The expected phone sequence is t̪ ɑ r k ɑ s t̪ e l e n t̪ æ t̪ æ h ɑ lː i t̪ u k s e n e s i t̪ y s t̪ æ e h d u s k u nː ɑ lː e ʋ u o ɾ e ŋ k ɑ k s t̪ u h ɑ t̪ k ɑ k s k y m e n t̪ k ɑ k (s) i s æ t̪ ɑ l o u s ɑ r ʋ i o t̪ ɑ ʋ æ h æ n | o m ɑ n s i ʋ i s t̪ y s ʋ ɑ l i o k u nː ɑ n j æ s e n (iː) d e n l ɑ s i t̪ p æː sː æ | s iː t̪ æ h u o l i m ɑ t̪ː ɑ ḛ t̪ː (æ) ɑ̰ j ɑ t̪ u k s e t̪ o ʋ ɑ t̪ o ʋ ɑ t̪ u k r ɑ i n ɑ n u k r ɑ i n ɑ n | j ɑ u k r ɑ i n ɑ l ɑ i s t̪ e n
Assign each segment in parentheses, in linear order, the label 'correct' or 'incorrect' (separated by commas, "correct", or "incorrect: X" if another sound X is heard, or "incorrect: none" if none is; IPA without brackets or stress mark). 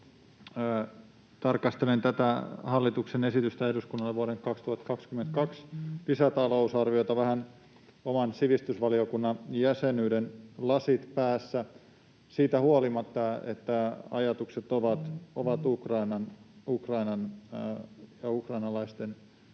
correct, incorrect: yː, correct